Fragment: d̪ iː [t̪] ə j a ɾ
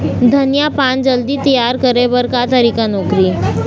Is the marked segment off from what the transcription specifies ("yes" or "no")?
no